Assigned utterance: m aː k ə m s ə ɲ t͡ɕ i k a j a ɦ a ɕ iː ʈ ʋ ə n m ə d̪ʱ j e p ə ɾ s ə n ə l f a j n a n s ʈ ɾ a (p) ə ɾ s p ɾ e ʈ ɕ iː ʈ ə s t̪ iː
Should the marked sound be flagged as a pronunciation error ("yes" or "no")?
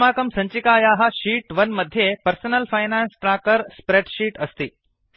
yes